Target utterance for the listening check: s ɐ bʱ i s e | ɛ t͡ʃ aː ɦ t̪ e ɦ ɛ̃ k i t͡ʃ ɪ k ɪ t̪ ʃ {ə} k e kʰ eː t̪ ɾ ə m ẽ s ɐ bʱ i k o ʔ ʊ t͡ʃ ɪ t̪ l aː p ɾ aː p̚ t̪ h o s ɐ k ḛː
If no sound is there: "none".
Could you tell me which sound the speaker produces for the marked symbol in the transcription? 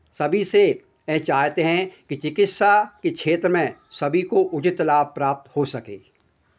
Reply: a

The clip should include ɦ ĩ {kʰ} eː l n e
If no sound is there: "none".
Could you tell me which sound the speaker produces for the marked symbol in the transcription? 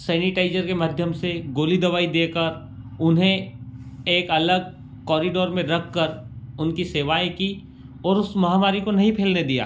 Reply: pʰ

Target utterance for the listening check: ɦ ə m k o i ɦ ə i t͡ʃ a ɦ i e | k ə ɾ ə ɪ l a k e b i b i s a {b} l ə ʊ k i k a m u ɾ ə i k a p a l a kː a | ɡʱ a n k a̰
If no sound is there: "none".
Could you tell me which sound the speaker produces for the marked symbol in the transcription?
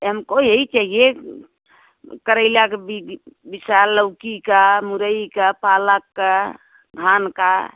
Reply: none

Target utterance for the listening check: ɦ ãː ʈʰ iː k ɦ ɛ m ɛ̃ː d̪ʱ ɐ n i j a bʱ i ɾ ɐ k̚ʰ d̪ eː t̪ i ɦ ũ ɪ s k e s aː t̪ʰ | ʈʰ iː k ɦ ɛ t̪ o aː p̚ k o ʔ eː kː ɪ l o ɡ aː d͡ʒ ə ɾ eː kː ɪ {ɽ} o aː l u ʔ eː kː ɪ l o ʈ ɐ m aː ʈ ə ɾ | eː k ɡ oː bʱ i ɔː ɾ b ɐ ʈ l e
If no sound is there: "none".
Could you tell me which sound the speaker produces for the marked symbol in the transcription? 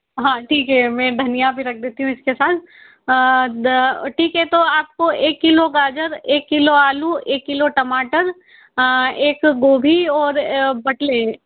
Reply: l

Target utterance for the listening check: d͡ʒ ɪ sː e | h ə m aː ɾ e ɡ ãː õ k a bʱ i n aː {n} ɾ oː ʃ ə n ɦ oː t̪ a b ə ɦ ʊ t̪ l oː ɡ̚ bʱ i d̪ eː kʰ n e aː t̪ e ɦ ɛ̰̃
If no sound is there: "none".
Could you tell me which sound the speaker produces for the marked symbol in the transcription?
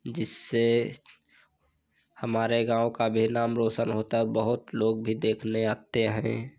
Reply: m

